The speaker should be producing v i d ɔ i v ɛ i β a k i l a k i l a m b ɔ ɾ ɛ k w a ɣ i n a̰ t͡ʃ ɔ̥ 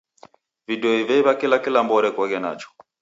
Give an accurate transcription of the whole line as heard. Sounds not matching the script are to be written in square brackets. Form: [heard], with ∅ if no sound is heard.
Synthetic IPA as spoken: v i d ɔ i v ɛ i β a k i l a k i l a m b ɔ ɾ ɛ k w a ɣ [ɛ] n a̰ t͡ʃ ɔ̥